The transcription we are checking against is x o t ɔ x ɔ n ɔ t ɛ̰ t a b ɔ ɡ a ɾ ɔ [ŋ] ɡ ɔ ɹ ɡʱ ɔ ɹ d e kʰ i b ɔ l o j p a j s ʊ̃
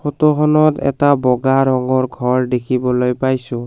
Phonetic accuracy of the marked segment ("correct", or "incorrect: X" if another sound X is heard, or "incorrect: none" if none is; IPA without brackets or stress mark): correct